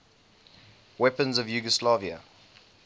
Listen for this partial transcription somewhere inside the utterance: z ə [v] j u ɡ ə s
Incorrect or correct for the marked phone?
correct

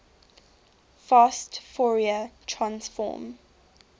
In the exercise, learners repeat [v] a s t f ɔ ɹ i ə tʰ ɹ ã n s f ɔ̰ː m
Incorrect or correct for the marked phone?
incorrect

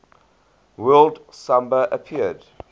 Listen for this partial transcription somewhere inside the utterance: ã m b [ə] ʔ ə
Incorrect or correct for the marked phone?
correct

